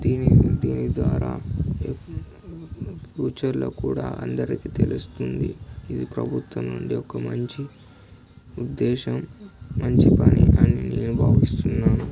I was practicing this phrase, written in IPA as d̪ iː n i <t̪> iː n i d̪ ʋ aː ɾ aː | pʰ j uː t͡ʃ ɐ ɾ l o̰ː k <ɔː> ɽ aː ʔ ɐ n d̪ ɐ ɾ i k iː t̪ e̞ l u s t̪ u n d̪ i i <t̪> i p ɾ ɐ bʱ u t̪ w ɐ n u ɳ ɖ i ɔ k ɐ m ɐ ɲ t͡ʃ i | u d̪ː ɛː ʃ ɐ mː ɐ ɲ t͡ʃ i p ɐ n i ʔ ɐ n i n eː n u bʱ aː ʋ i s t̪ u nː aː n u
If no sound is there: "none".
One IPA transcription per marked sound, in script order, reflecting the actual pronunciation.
d̪, uː, d̪

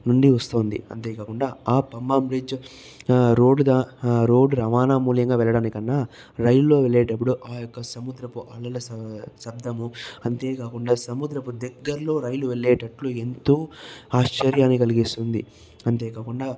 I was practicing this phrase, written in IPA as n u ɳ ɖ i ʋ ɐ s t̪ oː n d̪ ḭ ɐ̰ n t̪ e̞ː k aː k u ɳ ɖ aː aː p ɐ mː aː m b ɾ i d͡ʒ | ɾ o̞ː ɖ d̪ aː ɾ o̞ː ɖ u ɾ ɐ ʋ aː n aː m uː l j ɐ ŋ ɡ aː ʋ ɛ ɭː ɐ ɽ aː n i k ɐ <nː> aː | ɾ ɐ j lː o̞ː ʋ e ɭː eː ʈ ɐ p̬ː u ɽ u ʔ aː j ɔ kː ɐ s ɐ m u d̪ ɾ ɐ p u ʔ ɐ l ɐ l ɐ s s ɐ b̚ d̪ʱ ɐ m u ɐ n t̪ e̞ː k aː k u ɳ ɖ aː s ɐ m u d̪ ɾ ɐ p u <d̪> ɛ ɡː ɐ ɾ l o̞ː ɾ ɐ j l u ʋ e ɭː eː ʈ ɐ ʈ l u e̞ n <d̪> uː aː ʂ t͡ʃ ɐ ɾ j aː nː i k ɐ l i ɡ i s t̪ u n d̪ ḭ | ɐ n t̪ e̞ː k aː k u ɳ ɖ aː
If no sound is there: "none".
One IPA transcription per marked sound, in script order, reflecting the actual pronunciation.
nː, d̪, t̪

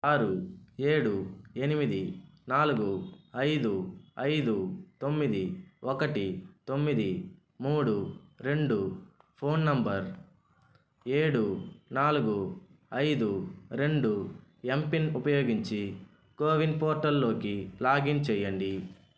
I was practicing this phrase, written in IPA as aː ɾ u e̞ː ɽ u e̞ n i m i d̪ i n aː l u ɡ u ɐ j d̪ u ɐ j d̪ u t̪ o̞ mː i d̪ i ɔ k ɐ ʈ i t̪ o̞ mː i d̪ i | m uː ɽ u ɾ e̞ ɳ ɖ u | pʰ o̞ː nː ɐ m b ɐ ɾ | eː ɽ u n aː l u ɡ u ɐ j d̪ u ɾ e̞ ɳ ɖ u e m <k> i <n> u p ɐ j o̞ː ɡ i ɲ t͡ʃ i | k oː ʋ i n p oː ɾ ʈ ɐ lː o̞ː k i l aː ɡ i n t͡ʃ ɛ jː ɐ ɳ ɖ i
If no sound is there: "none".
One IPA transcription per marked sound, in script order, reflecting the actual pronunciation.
p, n

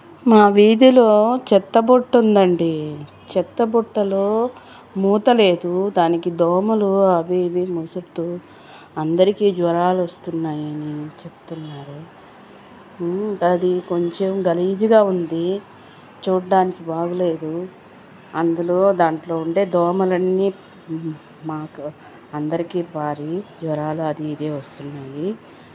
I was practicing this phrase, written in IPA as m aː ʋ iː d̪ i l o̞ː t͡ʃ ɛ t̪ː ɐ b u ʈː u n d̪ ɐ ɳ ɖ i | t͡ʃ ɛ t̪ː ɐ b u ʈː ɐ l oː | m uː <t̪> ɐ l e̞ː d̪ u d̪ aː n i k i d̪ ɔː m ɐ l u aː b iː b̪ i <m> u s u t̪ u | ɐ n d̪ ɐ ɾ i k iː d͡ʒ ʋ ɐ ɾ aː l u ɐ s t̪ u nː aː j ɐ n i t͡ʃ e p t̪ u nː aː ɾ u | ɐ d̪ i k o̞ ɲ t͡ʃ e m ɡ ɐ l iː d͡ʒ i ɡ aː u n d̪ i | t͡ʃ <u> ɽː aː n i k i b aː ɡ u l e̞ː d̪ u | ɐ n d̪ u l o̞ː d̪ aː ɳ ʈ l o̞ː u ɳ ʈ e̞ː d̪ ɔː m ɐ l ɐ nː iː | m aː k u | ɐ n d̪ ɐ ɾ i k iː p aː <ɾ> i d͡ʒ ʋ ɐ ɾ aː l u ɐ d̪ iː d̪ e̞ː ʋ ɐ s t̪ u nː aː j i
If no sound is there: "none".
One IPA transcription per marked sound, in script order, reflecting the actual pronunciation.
t̪, m, uː, ɾ

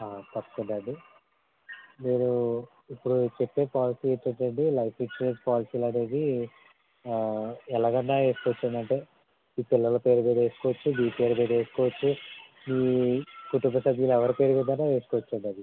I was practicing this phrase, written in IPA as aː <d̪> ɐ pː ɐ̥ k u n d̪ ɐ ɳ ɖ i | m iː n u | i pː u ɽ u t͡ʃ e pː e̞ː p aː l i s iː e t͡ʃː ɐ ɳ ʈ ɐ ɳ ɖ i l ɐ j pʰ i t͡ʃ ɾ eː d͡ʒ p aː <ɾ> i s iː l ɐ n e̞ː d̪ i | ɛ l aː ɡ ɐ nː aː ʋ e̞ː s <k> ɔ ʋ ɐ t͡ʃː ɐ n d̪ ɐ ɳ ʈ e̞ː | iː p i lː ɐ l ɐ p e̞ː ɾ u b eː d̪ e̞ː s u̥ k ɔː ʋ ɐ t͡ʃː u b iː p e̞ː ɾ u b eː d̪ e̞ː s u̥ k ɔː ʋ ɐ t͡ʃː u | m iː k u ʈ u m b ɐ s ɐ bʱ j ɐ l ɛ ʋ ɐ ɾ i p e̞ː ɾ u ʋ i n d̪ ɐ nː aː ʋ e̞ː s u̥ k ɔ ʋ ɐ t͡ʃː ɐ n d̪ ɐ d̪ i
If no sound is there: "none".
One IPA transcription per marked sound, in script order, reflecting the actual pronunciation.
t̪, l, k

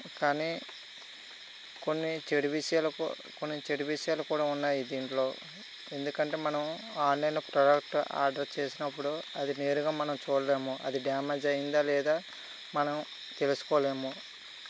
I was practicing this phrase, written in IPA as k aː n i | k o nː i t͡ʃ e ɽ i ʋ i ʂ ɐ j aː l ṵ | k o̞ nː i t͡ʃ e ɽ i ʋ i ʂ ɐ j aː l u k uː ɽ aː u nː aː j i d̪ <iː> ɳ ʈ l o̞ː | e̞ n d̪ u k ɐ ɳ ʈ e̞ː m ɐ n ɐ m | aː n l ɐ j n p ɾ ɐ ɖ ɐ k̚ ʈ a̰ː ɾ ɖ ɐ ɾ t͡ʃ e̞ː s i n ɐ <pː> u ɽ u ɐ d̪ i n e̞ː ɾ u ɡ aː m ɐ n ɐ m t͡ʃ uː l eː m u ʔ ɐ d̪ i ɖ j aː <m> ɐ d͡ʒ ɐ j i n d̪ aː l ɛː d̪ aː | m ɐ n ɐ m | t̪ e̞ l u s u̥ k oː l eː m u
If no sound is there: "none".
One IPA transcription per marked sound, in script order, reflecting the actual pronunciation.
iː, pː, m

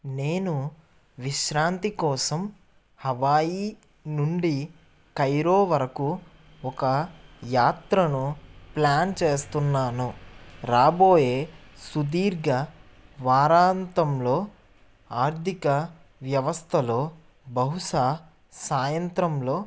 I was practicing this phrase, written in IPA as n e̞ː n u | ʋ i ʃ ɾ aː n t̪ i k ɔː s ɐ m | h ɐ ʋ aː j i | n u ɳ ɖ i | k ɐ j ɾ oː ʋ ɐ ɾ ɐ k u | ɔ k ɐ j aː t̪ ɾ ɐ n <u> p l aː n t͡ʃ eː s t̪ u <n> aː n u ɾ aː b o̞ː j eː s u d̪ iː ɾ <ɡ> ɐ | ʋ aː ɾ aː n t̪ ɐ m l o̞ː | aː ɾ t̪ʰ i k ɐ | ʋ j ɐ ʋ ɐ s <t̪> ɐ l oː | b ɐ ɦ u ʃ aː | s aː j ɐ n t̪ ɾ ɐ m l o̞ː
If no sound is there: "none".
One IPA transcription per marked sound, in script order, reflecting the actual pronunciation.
u, nː, ɡ, t̪ʰ

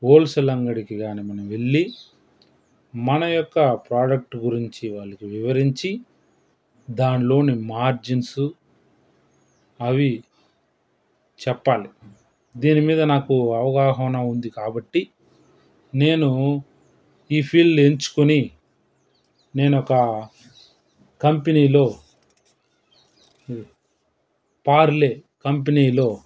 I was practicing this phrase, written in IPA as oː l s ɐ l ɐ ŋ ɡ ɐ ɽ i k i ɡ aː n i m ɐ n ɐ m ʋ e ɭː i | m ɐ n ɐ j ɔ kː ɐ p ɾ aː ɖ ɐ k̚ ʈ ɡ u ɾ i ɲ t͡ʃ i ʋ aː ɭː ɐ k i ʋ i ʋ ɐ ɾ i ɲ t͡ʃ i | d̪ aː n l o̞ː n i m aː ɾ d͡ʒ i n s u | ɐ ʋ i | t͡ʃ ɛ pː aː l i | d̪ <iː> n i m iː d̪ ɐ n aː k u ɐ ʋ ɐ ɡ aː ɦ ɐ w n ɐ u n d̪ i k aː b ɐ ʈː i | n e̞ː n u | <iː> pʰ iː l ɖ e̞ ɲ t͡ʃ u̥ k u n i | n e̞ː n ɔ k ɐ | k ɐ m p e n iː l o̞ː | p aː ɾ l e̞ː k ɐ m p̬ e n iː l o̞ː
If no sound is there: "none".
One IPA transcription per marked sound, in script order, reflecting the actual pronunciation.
iː, iː

